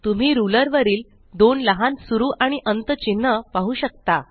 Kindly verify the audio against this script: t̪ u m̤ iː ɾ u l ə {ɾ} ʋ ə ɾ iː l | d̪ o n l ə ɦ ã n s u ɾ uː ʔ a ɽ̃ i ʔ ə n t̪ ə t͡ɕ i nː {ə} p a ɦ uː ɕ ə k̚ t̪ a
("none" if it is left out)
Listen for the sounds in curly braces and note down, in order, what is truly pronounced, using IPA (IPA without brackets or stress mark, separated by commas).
ɾ, ə